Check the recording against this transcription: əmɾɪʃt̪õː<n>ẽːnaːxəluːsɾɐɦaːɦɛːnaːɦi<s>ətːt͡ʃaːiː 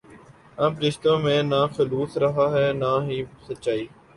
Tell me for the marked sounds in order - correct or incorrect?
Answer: incorrect: m, correct

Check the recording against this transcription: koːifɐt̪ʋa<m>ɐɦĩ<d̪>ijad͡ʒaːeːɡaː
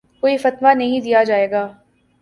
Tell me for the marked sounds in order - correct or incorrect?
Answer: incorrect: n, correct

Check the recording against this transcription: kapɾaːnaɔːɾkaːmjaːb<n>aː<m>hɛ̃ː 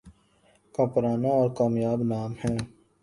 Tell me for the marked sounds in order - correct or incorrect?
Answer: correct, correct

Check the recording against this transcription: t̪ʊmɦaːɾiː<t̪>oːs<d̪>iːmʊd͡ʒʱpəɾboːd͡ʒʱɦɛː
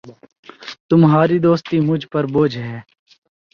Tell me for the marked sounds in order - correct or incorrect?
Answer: incorrect: d̪, incorrect: t̪

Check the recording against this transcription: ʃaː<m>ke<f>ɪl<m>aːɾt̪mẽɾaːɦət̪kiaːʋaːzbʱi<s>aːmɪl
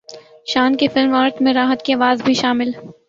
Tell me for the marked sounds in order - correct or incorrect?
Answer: incorrect: n, correct, correct, incorrect: ʃ

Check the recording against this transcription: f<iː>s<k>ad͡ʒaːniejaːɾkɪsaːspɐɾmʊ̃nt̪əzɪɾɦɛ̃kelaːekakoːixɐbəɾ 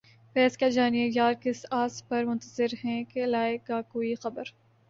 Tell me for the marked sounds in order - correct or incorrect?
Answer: incorrect: ɛː, correct

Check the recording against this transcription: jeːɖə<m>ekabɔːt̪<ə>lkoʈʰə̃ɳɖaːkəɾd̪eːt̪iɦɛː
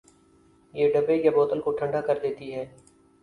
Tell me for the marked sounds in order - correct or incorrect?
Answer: incorrect: b, correct

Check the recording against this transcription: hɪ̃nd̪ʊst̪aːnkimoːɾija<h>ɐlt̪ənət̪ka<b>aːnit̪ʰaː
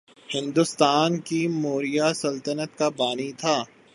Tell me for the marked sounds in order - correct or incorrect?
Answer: incorrect: s, correct

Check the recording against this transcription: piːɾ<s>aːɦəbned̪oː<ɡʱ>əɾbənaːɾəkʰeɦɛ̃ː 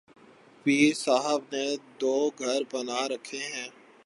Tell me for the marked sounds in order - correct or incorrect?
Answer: correct, correct

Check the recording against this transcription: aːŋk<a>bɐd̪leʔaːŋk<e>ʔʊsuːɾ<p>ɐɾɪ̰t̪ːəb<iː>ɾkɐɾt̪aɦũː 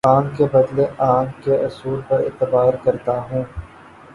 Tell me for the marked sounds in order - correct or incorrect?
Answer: incorrect: e, correct, correct, incorrect: aː

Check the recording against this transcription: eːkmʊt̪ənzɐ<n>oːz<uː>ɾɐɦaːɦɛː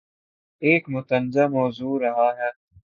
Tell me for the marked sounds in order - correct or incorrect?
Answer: incorrect: m, correct

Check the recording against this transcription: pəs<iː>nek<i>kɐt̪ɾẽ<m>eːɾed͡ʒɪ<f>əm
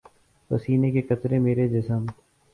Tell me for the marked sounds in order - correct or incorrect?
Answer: correct, incorrect: e, correct, incorrect: s

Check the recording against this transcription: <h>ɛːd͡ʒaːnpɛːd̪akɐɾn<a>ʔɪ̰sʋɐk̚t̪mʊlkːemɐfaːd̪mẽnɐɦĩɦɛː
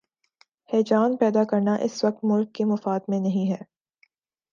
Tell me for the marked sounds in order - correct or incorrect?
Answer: correct, correct

